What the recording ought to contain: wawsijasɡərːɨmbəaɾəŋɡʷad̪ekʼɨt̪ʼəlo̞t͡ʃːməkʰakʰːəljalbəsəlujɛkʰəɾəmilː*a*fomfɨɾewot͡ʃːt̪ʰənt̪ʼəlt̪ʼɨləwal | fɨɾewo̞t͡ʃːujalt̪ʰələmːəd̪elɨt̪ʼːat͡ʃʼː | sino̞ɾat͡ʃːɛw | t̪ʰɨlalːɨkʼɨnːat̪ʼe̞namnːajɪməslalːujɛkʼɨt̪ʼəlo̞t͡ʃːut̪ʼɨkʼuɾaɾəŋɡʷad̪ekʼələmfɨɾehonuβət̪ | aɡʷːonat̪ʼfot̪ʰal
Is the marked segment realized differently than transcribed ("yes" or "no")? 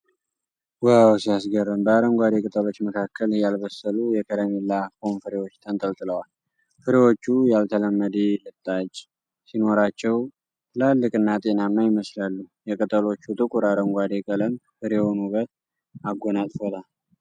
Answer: no